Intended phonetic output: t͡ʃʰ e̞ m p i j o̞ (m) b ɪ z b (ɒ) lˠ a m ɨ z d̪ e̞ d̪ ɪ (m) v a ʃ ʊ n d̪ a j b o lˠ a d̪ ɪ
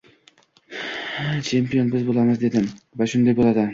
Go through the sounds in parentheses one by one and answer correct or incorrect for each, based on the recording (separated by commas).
incorrect, incorrect, correct